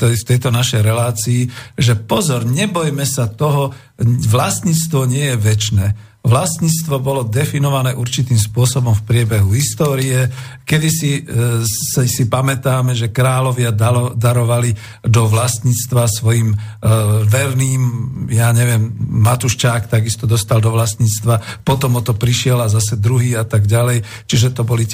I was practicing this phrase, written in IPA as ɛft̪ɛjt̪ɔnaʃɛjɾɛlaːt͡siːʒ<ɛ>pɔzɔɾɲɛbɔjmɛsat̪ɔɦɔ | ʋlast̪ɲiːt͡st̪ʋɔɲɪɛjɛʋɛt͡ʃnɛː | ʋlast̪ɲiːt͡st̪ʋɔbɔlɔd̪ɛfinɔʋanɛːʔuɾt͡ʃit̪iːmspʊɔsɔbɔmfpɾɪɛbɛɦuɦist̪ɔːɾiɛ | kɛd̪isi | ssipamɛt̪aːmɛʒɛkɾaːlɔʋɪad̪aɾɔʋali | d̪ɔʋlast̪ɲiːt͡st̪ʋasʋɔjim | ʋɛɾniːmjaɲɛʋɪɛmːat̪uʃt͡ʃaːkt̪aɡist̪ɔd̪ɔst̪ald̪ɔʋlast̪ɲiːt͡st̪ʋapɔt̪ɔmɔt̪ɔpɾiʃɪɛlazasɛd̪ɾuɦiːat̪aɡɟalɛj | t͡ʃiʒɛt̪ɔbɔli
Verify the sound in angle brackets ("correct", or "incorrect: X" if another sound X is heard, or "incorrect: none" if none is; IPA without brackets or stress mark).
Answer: correct